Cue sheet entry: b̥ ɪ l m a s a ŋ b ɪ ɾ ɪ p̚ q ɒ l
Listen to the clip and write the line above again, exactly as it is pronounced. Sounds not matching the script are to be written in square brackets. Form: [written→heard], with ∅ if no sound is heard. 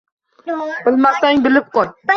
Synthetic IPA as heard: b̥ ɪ l m a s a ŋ b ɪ [ɾ→l] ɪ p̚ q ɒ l